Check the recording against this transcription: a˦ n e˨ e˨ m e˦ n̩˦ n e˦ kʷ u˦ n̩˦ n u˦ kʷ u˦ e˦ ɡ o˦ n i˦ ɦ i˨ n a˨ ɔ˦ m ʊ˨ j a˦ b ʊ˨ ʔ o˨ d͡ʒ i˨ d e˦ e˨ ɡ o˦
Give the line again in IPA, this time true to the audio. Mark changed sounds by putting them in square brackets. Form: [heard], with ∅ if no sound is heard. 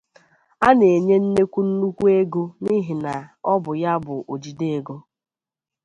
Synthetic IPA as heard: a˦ n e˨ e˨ [ɲ] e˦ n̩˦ n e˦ kʷ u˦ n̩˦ n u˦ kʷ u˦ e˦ ɡ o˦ n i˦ ɦ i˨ n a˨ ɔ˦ [b] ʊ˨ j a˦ b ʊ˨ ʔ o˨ d͡ʒ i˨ d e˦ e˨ ɡ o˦